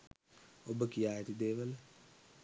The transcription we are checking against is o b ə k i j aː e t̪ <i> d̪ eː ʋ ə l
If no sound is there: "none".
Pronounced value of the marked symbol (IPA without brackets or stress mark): i